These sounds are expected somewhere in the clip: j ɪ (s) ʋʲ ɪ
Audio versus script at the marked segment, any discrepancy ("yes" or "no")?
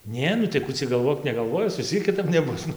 no